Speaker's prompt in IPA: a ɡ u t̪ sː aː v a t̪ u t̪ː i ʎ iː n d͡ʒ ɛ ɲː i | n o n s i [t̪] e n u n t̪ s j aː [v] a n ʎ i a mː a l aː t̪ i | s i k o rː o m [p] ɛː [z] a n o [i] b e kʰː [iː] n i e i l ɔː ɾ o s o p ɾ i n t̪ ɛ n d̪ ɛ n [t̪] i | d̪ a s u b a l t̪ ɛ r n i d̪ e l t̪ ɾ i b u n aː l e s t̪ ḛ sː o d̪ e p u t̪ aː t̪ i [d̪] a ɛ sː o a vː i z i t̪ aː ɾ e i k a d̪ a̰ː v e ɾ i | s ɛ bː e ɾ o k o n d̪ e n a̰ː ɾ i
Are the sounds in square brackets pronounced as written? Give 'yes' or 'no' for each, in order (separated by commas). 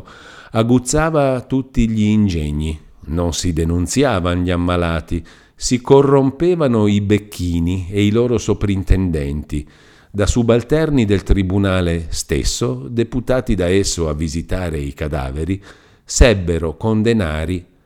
no, yes, yes, no, yes, yes, yes, yes